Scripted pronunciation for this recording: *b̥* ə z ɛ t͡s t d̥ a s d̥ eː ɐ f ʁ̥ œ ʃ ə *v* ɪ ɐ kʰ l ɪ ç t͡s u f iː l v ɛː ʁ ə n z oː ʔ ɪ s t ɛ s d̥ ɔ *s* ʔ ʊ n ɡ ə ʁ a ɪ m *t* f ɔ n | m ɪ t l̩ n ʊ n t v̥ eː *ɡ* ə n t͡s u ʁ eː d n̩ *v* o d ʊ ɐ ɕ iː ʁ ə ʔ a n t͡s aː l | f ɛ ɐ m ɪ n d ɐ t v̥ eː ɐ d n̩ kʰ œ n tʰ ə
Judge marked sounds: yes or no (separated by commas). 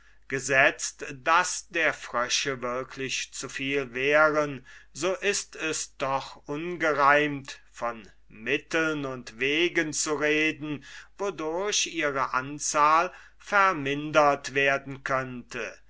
no, yes, no, yes, yes, yes